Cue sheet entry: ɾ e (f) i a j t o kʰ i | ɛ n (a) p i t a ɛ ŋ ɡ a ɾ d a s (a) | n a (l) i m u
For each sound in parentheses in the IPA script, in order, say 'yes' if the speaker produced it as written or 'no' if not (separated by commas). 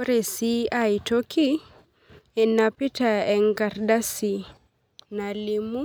no, yes, no, yes